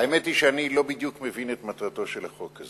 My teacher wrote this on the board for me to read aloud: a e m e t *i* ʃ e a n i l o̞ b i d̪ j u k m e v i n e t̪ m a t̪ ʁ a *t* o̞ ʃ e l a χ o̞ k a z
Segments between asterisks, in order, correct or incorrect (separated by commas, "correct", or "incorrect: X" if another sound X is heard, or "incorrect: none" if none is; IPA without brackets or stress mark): correct, correct